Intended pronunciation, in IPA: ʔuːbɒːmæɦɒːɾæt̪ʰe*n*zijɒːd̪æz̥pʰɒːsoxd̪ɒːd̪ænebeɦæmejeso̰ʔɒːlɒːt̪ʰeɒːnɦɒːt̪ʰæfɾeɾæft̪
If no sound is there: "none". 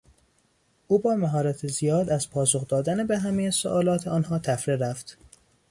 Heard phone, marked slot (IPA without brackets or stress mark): none